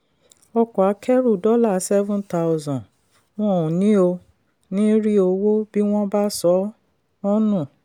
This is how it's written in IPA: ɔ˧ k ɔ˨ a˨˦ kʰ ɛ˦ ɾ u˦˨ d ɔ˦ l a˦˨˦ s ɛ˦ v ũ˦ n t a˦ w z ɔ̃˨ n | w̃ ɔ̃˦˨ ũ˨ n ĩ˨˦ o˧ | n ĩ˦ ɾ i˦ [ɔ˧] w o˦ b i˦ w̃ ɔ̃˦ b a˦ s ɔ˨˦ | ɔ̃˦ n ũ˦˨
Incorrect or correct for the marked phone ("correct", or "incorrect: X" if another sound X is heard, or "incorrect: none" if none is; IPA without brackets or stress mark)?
incorrect: o˧